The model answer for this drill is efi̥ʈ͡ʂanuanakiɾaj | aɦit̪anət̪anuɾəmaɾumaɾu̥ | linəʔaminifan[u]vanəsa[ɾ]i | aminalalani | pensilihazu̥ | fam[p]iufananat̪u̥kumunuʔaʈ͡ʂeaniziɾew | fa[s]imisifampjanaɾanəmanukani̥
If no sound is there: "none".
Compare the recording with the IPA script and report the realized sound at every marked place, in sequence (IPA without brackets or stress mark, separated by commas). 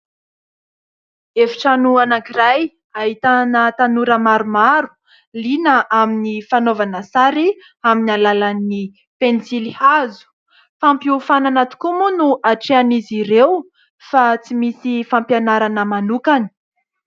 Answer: o, ɾ, p, t͡s